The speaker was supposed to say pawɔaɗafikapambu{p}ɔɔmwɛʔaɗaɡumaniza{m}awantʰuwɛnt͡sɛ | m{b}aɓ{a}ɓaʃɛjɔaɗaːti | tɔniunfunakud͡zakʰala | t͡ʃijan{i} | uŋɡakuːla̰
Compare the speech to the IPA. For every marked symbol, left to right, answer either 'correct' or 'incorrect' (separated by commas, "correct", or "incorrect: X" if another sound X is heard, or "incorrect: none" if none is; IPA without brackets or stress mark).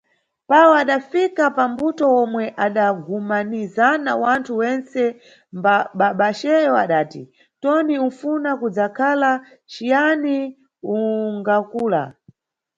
incorrect: t, incorrect: n, correct, correct, correct